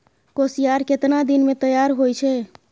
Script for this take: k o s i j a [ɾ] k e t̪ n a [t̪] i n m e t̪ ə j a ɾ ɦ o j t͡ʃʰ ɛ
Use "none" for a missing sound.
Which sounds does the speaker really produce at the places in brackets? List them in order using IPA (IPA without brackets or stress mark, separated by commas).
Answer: ɾ, d̪